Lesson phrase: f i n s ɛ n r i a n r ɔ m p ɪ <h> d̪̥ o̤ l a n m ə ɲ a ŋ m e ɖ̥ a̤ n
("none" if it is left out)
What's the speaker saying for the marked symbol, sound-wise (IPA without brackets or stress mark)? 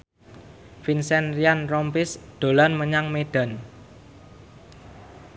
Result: s